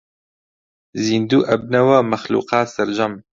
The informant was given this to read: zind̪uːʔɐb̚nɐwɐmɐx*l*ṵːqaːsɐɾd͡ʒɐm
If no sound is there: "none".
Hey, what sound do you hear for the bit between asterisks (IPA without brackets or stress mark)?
l